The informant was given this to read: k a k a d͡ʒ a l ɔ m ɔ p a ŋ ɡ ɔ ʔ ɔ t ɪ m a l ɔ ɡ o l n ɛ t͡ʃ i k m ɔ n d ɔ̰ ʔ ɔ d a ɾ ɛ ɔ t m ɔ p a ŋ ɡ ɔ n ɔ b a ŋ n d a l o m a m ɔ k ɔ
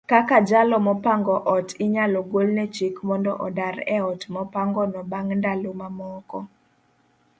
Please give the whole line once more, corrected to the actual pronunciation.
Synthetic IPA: k a k a d͡ʒ a l ɔ m ɔ p a ŋ ɡ ɔ ʔ ɔ t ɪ ɲ a l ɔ ɡ o l n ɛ t͡ʃ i k m ɔ n d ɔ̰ ʔ ɔ d a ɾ ɛ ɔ t m ɔ p a ŋ ɡ ɔ n ɔ b a ŋ n d a l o m a m ɔ k ɔ